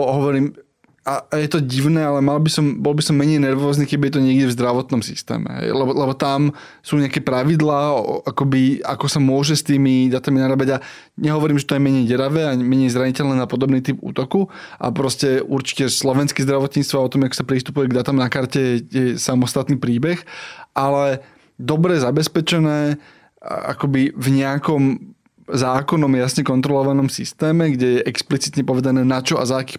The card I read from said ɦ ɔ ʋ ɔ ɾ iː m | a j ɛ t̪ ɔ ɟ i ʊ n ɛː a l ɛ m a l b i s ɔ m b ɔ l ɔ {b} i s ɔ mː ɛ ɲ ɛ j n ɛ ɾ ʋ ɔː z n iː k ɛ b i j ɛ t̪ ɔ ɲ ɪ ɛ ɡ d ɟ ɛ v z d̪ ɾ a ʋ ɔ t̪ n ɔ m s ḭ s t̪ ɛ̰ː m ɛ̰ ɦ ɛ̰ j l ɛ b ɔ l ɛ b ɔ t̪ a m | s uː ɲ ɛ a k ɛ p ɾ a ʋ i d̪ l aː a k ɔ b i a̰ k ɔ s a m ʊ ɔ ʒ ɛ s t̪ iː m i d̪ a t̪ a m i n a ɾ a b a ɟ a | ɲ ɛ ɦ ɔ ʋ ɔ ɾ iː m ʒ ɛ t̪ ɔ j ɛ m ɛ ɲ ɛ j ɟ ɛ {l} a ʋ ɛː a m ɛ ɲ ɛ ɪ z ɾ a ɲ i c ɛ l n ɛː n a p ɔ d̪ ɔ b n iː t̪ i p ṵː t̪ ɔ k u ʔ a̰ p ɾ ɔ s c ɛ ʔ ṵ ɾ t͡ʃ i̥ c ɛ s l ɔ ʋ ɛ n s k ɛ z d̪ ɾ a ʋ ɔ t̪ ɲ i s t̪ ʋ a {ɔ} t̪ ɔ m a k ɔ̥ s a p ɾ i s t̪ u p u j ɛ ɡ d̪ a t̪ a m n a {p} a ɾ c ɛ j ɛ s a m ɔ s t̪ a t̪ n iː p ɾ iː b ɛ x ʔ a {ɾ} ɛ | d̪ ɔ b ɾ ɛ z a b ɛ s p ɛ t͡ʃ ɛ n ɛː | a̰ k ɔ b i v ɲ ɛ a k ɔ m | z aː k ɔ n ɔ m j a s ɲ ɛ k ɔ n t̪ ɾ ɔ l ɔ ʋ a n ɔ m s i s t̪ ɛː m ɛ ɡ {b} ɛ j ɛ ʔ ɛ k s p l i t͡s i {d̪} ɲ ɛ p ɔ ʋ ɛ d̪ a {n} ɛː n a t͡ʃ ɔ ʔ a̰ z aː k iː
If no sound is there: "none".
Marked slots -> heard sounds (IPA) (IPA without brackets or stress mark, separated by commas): b, ɾ, ɔ, k, l, ɟ, t̪, n